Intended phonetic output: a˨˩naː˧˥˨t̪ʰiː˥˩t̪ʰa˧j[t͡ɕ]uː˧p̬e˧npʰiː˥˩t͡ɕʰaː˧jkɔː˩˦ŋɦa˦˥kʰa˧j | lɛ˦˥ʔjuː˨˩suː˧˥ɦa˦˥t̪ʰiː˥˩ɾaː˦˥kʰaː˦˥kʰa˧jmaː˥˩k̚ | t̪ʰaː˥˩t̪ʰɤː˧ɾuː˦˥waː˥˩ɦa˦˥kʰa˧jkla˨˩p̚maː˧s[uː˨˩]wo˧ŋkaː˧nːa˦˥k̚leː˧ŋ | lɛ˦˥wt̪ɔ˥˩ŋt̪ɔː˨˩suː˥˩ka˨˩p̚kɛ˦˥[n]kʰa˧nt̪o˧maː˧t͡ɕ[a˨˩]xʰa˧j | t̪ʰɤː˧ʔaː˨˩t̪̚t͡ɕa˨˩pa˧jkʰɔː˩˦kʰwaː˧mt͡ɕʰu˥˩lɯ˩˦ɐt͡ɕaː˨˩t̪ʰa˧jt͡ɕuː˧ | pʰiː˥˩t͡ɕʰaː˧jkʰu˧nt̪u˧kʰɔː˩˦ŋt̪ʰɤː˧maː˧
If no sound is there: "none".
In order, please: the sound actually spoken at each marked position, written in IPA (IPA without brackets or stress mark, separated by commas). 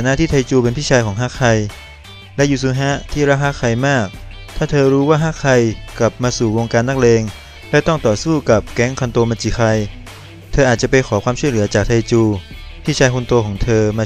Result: t͡ɕ, uː˨˩, ŋ, i˨˩